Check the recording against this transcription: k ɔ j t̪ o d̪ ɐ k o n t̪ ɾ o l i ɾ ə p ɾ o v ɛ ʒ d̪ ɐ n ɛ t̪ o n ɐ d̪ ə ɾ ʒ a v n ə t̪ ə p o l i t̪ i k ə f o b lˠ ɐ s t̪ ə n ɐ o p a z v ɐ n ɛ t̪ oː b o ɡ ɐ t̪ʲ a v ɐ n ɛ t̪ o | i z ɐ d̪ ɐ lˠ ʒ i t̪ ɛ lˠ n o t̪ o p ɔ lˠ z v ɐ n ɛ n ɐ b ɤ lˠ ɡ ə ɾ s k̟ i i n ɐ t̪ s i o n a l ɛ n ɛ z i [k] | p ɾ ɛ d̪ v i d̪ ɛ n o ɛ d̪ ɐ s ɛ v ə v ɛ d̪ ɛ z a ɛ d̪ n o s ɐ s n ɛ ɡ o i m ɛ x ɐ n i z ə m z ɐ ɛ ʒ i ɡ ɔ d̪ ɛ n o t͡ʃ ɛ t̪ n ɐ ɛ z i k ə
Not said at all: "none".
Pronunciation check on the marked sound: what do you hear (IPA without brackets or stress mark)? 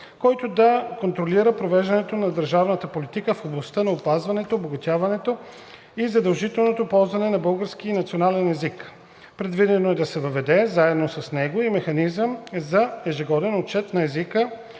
k